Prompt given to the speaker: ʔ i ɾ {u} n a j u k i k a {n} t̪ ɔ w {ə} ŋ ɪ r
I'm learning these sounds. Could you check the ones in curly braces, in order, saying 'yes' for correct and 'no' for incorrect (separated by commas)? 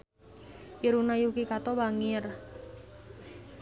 yes, no, no